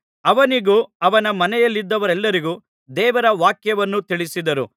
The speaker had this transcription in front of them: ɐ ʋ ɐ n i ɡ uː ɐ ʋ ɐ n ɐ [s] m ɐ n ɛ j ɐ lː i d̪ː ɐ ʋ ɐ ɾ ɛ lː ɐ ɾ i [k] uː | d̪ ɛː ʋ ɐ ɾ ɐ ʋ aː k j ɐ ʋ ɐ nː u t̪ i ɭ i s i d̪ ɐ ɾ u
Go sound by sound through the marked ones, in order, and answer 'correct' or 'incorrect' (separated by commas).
incorrect, incorrect